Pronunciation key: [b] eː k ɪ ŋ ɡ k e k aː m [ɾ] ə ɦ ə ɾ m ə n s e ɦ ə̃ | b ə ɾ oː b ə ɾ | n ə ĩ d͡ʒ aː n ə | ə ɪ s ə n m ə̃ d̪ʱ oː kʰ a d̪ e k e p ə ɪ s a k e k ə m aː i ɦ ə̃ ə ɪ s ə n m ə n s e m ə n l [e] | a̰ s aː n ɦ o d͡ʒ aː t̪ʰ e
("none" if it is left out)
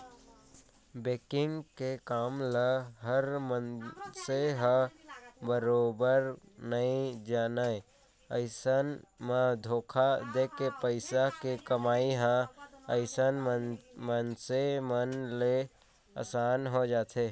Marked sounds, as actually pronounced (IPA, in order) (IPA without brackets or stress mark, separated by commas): b, l, e